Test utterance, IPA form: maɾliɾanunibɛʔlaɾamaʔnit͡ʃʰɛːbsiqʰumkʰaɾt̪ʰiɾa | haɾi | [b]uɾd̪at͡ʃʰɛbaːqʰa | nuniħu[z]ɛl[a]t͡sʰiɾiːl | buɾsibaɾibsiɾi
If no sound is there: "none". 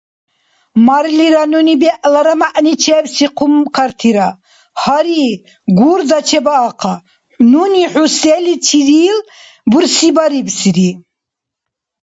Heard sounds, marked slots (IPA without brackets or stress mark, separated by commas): ɡ, s, i